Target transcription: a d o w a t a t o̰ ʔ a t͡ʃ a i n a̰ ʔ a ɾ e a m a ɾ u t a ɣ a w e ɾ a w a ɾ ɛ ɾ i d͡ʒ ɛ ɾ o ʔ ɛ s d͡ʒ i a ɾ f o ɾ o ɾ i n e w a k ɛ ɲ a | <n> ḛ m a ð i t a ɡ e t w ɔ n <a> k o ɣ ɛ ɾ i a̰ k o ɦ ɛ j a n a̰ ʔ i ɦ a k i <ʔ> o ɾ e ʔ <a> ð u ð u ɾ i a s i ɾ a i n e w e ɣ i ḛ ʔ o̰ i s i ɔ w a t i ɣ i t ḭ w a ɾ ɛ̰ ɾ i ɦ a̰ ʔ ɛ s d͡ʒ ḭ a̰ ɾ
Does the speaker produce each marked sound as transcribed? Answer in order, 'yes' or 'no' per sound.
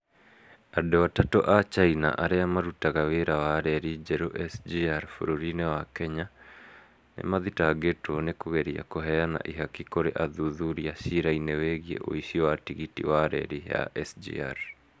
yes, no, no, yes

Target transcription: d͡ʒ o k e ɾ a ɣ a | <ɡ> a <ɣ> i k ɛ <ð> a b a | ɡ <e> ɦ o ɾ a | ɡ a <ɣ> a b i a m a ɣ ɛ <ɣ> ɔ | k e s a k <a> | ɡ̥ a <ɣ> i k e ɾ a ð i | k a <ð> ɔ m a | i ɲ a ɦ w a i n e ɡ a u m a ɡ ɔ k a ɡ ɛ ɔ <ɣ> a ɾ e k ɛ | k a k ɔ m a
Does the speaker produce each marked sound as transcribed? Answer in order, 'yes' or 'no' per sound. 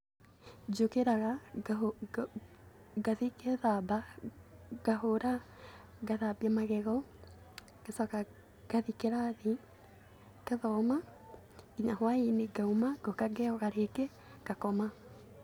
yes, no, yes, no, no, yes, yes, no, yes, yes

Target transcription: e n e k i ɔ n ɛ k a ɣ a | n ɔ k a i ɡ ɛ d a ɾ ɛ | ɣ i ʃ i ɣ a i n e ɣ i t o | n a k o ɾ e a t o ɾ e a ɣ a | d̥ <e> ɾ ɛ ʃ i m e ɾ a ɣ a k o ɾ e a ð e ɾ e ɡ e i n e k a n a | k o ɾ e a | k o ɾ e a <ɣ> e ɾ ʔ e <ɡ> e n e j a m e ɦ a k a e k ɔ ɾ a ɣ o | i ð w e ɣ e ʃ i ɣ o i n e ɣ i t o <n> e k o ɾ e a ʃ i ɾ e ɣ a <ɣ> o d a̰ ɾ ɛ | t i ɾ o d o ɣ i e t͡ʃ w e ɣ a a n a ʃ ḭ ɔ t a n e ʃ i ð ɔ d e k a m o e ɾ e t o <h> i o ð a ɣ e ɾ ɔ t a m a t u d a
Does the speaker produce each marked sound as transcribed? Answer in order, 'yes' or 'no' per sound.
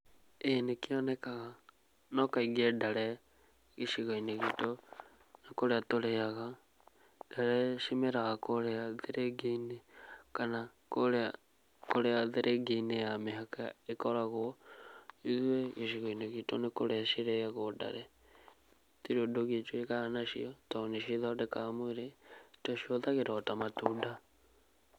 no, no, yes, yes, yes, no

